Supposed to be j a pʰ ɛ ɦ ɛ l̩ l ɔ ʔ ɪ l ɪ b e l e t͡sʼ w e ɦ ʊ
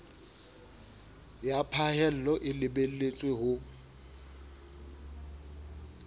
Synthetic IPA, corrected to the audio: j a pʰ a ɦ ɛ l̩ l ɔ ʔ ɪ l ɪ b e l e t͡sʼ w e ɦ ʊ